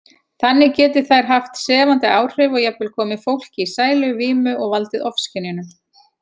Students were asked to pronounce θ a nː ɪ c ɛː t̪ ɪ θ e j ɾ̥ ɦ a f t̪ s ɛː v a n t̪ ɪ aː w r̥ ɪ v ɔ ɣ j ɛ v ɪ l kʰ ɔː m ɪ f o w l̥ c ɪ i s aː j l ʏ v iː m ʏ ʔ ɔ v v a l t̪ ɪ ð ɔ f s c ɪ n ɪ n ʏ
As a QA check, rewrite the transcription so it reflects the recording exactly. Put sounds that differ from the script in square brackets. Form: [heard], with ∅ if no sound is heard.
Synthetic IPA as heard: θ a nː ɪ c ɛː t̪ ɪ θ [a] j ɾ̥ ɦ a f t̪ s ɛː v a n t̪ ɪ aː w r̥ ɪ v ɔ ɣ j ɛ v ɪ l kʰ ɔː m ɪ f o w l̥ c ɪ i s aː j l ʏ v iː m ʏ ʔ ɔ [ɣ] v a l t̪ ɪ ð ɔ f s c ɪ n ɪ n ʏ